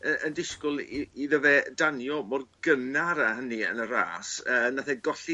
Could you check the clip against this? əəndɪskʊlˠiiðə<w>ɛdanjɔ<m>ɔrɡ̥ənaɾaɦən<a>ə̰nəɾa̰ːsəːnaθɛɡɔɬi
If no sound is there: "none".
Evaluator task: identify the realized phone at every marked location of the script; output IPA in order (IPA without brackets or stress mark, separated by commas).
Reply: v, m, i